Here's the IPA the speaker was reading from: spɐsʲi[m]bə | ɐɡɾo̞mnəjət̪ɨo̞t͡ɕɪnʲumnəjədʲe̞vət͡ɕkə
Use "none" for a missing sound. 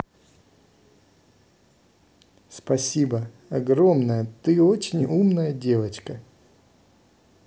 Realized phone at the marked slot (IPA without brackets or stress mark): none